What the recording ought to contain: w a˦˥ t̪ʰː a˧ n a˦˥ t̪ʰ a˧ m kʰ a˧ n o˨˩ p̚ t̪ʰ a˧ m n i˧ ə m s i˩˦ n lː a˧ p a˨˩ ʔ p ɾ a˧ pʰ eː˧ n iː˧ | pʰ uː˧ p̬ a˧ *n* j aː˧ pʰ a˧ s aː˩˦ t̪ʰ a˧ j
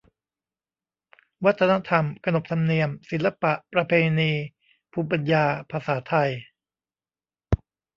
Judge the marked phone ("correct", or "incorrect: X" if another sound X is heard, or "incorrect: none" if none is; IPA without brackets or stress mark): correct